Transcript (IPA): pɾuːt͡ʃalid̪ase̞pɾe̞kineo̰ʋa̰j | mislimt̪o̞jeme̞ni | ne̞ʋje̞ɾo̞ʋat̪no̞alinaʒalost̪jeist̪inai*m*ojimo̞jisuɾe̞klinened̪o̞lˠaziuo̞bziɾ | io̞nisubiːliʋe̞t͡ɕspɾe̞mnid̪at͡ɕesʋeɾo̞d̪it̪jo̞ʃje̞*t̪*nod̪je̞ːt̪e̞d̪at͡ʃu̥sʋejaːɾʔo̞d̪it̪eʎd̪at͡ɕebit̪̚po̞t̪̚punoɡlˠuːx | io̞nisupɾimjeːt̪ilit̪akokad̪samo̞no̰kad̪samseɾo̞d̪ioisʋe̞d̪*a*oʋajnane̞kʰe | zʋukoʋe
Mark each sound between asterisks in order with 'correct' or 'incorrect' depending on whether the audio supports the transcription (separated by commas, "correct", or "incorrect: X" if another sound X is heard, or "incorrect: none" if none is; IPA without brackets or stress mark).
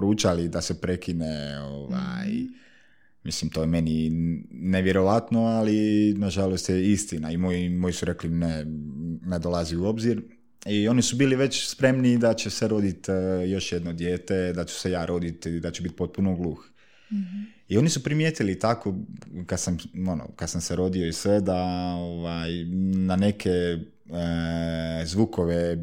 correct, incorrect: d̪, correct